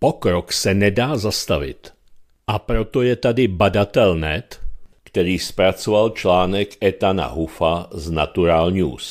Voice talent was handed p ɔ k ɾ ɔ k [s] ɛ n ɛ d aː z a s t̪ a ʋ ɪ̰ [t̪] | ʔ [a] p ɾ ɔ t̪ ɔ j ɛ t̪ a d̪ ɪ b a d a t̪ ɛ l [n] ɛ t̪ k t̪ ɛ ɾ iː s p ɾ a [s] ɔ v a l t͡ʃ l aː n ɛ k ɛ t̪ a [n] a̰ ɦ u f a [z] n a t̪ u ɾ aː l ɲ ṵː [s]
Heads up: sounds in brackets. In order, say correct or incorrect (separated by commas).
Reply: correct, correct, correct, correct, incorrect, correct, correct, correct